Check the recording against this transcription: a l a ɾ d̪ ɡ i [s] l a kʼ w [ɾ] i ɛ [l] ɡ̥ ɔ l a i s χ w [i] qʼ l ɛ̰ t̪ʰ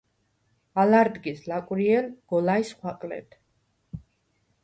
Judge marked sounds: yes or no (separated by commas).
yes, yes, yes, no